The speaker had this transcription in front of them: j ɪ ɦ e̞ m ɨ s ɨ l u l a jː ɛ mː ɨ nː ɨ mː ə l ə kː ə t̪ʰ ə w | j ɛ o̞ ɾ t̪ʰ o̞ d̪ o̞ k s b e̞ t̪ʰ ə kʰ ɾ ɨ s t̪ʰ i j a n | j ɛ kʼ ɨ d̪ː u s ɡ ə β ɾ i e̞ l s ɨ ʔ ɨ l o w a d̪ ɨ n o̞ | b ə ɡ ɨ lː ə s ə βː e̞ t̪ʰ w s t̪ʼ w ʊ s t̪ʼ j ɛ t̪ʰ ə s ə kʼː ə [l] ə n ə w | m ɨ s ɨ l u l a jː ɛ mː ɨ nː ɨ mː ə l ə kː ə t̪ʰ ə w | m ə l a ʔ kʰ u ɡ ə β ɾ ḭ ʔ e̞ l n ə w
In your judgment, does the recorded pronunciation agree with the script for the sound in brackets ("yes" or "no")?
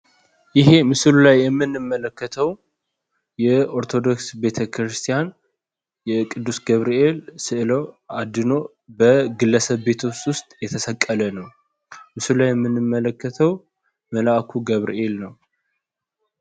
yes